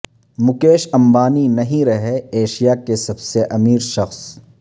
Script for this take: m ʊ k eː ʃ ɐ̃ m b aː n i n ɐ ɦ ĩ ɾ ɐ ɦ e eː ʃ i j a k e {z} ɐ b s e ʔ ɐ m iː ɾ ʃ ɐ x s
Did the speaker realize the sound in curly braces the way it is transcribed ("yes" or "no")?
no